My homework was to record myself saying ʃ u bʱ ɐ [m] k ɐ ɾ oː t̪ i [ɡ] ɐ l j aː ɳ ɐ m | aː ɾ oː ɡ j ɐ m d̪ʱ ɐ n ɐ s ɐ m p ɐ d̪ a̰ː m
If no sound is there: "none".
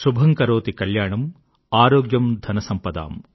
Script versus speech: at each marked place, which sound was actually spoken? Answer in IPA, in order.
ŋ, k

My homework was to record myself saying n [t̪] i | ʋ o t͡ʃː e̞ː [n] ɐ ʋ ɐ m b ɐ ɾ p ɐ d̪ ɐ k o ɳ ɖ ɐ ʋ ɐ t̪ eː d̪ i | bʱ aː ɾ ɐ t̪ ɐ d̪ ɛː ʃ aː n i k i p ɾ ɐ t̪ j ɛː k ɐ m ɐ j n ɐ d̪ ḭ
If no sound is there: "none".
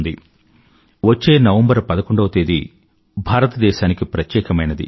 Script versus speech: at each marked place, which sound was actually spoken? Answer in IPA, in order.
d̪, n

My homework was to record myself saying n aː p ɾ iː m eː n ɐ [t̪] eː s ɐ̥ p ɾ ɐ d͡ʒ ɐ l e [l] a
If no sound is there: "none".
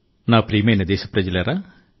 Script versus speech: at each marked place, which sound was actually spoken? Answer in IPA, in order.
d̪, ɾ

